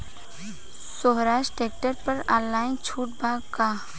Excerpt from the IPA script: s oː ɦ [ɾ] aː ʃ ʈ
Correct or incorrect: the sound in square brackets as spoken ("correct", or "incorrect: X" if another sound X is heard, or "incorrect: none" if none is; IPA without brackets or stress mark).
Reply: correct